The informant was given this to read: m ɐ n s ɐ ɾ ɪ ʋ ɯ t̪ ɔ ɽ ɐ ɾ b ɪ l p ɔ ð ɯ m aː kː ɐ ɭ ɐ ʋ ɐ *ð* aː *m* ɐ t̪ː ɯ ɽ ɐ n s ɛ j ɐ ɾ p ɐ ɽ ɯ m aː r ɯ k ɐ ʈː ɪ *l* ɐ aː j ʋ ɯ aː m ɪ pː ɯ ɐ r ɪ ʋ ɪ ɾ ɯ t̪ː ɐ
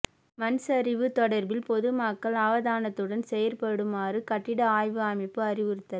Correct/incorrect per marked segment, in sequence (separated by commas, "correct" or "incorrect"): correct, incorrect, incorrect